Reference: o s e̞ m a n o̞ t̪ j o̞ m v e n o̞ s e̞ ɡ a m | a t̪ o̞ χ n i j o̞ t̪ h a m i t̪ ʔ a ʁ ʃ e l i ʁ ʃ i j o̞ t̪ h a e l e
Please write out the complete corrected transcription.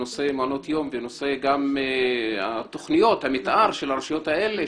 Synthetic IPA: o s e̞ m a n o̞ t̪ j o̞ m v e n o̞ s e̞ ɡ a m | a t̪ o̞ χ n i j o̞ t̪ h a m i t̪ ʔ a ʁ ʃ e l a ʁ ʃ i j o̞ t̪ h a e l e